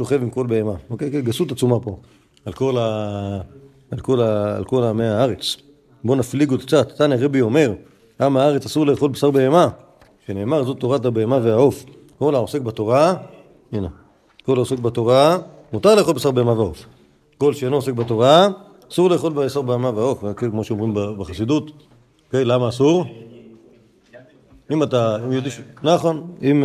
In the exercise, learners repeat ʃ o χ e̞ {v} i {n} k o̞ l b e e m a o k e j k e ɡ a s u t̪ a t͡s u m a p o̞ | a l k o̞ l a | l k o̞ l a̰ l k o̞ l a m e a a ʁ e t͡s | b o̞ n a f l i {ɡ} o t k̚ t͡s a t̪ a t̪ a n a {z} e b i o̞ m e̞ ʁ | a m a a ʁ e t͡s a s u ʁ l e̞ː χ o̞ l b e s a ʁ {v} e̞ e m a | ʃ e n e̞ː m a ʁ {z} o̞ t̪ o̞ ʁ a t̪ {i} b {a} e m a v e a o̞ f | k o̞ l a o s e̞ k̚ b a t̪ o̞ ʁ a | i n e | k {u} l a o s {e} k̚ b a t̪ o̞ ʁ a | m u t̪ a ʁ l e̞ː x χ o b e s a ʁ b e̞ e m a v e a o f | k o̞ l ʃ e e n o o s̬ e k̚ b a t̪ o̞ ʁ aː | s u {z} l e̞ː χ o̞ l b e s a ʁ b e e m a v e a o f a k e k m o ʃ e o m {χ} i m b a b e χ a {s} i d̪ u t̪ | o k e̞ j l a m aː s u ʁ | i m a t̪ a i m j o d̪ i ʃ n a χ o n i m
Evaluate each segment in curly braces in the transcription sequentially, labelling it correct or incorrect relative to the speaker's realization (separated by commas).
correct, incorrect, correct, incorrect, incorrect, correct, incorrect, incorrect, incorrect, correct, incorrect, incorrect, correct